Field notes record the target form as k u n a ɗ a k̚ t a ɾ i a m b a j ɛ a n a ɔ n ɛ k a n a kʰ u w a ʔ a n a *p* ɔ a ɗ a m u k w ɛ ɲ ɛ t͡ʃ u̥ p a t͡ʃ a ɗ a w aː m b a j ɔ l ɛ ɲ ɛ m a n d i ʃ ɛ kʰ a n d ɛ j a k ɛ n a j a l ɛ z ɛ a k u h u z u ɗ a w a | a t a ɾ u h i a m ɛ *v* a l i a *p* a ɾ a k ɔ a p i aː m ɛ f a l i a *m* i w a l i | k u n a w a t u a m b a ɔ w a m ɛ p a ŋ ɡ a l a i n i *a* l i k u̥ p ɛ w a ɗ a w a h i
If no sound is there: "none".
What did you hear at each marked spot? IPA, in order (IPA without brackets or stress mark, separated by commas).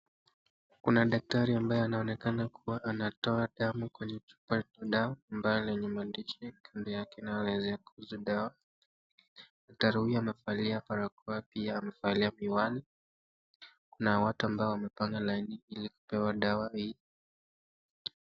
t, f, p, m, i